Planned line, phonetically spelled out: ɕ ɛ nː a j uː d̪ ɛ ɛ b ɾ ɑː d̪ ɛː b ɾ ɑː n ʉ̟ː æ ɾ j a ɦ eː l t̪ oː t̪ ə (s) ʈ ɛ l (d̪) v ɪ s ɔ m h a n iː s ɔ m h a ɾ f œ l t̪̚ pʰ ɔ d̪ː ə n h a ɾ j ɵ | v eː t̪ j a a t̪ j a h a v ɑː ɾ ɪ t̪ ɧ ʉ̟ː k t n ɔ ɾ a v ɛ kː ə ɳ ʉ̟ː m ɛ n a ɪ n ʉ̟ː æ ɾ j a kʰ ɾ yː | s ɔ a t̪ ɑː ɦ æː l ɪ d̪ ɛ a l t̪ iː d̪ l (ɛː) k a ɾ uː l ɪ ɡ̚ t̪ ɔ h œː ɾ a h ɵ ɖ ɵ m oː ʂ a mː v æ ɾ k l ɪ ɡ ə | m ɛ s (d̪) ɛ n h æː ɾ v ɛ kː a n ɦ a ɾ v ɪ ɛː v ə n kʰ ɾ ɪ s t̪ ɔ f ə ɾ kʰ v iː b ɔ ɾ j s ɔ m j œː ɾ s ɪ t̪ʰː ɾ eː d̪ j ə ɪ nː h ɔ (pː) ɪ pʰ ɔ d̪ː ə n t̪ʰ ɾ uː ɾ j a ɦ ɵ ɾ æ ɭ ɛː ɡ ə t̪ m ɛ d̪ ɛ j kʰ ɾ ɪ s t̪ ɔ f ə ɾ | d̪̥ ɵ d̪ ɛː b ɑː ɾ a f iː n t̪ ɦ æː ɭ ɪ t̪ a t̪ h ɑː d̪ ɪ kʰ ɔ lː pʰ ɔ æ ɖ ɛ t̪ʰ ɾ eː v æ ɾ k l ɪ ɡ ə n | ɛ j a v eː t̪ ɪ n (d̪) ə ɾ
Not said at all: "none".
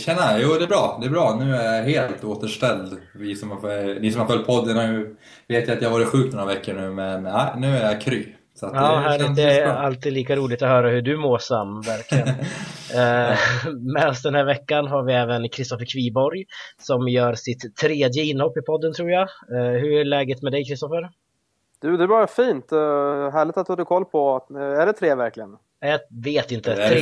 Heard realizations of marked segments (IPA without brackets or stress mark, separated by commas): ʂ, d̪, iː, d̪, pː, t̪